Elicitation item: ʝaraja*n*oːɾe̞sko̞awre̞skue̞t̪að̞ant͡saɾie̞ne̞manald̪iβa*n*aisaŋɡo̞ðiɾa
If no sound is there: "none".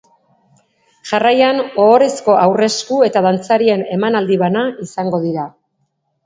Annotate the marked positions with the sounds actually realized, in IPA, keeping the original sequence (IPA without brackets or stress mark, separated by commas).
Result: n, n